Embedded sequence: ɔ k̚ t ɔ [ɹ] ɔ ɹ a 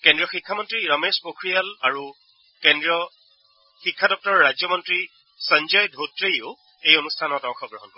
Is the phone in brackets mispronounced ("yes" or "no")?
no